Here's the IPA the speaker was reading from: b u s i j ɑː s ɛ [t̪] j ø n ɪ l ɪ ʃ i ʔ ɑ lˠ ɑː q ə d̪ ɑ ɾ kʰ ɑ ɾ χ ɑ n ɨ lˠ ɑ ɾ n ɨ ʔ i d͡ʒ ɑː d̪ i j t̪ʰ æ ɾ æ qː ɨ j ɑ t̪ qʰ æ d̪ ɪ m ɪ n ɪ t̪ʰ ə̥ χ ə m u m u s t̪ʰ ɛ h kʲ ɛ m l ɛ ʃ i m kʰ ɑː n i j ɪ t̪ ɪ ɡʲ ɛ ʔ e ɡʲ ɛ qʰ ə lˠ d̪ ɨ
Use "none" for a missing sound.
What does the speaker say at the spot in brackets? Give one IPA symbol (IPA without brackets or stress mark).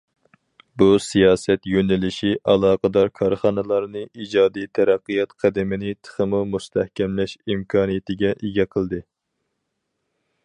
t̪